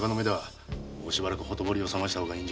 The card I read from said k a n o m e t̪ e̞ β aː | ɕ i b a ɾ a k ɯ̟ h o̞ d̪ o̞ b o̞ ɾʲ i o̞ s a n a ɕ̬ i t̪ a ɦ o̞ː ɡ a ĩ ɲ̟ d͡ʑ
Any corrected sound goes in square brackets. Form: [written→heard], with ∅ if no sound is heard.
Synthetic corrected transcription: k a n o m e [t̪→d̪] e̞ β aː | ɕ i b a ɾ a k ɯ̟ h o̞ [d̪→t̪] o̞ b o̞ ɾʲ i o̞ s a [n→m] a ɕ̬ i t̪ a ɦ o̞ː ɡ a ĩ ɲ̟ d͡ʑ